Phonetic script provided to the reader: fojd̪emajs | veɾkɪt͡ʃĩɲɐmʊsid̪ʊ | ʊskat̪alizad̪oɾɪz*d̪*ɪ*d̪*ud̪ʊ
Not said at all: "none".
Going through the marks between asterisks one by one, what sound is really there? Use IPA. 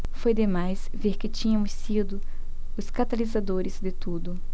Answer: d̪, t̪

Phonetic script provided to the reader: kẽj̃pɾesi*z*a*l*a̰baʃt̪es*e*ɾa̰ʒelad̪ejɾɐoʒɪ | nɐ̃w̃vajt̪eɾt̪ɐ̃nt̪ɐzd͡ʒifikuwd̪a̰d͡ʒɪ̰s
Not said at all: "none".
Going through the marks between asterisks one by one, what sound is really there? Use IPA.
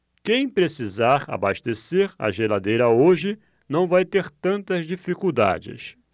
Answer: z, ɾ, e

